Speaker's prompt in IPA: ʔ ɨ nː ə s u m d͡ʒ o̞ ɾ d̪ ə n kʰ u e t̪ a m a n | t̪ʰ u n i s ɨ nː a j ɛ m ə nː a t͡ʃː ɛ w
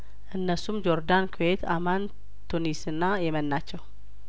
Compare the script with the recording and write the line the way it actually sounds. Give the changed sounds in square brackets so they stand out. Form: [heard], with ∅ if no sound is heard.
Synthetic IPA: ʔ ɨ nː ə s u m d͡ʒ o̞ ɾ d̪ [a] n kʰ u e t̪ a m a n | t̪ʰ u n i s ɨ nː a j ɛ m ə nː a t͡ʃː ɛ w